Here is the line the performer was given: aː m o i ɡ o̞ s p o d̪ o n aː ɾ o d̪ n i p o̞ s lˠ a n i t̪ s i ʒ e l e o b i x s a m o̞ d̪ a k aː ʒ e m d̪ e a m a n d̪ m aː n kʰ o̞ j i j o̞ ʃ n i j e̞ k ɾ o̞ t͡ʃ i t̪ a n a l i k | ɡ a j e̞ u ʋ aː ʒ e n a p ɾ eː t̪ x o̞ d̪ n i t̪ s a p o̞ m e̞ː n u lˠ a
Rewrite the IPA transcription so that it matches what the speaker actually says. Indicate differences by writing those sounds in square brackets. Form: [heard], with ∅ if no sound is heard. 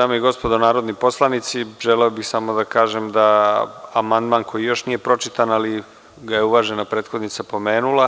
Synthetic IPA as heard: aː m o i ɡ o̞ s p o d̪ o n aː ɾ o d̪ n i p o̞ s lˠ a n i t̪ s i ʒ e l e o b i x s a m o̞ d̪ a k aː ʒ e m d̪ [a] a m a n d̪ m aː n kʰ o̞ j i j o̞ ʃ n i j e̞ [p] ɾ o̞ t͡ʃ i t̪ a n a l i [∅] | ɡ a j e̞ u ʋ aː ʒ e n a p ɾ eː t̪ x o̞ d̪ n i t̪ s a p o̞ m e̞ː n u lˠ a